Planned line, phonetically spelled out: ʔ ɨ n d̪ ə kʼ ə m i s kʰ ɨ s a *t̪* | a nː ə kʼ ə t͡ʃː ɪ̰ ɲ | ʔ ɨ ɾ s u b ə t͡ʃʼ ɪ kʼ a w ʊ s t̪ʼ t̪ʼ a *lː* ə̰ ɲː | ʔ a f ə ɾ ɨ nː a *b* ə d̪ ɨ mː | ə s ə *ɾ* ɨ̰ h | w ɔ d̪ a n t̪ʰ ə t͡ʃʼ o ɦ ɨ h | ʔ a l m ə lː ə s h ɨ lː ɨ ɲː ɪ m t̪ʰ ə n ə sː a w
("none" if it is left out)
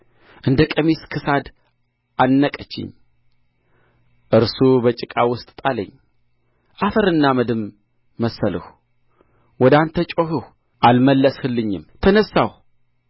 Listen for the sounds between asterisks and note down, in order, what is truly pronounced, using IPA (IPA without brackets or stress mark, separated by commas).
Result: d̪, l, m, l